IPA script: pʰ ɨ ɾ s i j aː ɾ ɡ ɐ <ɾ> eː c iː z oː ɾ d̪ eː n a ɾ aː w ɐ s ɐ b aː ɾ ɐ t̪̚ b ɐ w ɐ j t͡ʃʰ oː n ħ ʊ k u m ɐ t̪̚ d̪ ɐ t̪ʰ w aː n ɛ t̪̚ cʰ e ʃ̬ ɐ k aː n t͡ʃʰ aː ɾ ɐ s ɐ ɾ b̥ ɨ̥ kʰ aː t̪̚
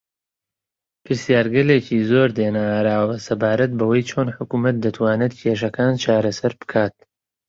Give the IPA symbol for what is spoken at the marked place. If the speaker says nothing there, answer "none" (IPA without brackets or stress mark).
l